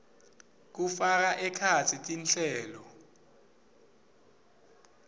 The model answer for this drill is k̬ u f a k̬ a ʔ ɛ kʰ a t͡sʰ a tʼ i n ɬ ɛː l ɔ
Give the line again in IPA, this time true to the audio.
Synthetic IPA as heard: k̬ u f a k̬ a ʔ ɛ kʰ a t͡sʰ i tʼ i n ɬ ɛː l ɔ